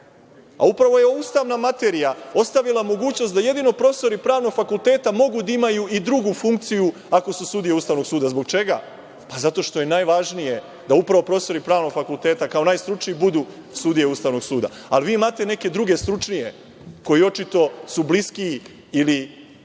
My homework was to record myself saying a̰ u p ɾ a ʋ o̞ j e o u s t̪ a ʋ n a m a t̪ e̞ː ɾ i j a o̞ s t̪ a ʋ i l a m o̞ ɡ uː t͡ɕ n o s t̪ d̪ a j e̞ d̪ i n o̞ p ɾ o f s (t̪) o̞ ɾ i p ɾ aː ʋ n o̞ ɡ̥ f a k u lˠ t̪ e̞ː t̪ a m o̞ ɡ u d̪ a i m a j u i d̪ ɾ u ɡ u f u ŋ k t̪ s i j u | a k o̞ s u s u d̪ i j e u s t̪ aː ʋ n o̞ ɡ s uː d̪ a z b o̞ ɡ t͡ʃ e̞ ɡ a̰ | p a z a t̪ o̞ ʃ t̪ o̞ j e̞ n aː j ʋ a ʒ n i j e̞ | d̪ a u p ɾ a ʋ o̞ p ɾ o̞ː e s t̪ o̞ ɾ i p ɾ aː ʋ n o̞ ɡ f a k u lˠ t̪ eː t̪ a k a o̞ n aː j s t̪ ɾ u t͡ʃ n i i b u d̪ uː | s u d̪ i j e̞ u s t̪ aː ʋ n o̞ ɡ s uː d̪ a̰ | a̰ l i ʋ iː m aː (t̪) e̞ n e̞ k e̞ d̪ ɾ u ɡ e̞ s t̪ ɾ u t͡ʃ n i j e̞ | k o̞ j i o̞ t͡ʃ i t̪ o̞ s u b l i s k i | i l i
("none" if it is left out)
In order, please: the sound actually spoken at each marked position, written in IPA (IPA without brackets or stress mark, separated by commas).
t̪, t̪